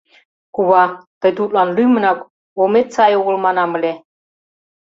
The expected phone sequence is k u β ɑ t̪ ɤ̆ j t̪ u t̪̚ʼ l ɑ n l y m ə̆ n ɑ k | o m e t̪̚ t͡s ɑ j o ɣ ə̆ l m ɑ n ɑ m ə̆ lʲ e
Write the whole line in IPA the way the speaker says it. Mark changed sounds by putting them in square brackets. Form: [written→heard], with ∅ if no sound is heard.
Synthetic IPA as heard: k u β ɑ t̪ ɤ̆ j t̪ u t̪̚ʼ l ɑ n l y m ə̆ n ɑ k | o m e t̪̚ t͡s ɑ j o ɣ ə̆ l m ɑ n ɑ m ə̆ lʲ e